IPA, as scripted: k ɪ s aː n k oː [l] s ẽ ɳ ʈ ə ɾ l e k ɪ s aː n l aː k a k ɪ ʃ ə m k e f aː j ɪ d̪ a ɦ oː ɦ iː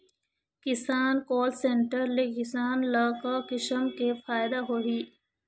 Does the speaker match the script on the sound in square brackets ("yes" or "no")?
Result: yes